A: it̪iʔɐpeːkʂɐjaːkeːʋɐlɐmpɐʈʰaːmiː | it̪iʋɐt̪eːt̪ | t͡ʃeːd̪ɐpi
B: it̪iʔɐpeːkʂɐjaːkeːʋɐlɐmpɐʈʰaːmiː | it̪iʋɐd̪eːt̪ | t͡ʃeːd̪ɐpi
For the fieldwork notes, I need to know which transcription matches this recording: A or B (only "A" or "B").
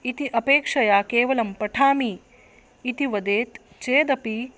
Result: B